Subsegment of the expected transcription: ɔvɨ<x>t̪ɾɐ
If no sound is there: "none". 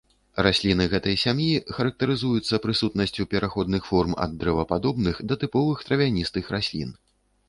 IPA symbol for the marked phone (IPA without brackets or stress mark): x